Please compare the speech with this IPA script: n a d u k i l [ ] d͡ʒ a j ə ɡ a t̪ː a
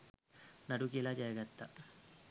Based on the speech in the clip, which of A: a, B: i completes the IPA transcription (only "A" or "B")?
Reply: A